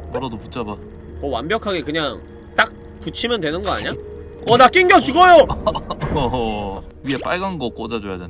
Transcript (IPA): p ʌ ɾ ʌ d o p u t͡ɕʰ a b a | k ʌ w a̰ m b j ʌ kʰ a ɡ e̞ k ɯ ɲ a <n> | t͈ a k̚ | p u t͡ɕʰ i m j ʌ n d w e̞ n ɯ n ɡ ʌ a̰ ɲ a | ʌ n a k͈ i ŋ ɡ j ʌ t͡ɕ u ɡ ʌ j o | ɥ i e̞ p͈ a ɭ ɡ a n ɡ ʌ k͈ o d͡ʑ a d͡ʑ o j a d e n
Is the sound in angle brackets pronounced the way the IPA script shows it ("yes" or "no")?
no